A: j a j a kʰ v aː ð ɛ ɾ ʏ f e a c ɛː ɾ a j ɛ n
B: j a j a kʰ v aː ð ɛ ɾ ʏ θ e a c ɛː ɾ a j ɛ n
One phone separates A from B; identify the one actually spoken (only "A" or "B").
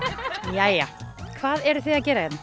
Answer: B